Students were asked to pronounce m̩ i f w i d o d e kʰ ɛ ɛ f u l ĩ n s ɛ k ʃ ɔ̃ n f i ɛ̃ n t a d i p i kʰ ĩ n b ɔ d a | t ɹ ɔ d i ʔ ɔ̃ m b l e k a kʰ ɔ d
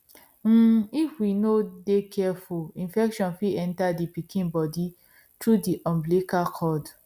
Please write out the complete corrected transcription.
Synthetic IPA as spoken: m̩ i f w i n o d e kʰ ɛ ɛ f u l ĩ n f ɛ k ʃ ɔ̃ n f i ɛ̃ n t a d i p i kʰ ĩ n b ɔ d i | t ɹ u d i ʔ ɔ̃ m b l e k a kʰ ɔ d